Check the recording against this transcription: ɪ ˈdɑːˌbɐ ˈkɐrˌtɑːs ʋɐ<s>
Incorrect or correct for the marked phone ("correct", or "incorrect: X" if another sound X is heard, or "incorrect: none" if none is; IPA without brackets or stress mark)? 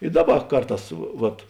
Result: incorrect: t